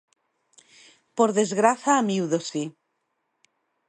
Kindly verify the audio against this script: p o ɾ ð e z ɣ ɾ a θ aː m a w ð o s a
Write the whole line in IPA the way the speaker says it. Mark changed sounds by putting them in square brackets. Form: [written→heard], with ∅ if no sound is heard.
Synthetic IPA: p o ɾ ð e z ɣ ɾ a θ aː m [a→i] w ð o s [a→i]